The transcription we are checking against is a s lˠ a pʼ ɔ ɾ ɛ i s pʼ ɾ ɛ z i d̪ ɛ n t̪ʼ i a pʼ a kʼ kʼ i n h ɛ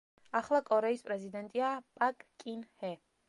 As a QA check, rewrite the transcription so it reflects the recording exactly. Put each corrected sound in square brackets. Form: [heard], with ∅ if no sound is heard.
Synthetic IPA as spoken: a [χ] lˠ a [kʼ] ɔ ɾ ɛ i s pʼ ɾ ɛ z i d̪ ɛ n t̪ʼ i a pʼ a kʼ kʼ i n h ɛ